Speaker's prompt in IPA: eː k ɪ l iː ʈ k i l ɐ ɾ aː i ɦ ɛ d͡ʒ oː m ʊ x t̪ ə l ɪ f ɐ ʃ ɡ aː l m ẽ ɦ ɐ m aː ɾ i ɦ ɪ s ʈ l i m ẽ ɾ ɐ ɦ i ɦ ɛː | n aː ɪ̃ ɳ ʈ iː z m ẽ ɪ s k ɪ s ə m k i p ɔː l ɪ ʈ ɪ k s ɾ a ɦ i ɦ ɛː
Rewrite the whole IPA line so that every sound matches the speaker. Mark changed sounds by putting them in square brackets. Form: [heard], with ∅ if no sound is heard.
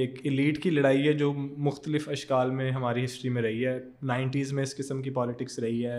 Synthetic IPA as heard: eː k ɪ l iː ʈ k i l ɐ [ɽ] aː i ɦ ɛ d͡ʒ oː m ʊ x t̪ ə l ɪ f ɐ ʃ [k] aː l m ẽ ɦ ɐ m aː ɾ i ɦ ɪ s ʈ [ɾ] i m ẽ ɾ ɐ ɦ i ɦ ɛː | n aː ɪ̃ ɳ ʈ iː z m ẽ ɪ s k ɪ s ə m k i p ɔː l ɪ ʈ ɪ k s ɾ [ɐ] ɦ i ɦ ɛː